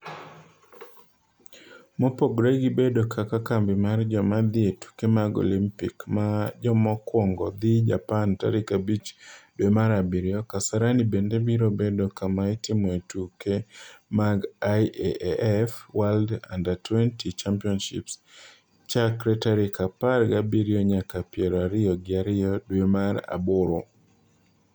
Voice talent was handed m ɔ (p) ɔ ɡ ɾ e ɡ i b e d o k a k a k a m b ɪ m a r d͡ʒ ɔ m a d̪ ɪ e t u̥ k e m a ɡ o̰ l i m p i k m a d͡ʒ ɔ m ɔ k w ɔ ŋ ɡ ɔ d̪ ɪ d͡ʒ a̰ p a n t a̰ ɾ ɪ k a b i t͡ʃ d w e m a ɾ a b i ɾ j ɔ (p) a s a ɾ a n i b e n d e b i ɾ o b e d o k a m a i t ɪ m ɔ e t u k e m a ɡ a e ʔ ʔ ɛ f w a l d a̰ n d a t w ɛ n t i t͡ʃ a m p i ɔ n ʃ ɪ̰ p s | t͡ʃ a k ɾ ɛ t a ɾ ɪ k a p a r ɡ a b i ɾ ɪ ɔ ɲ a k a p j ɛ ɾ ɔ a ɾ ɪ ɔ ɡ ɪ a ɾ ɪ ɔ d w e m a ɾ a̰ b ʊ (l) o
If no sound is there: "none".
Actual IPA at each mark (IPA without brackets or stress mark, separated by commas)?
p, k, ɾ